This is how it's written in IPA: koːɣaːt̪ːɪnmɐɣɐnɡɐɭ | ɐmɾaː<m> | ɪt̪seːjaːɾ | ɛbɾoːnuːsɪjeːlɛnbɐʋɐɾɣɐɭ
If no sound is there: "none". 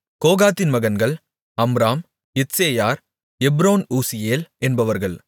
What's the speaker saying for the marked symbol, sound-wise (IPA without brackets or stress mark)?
m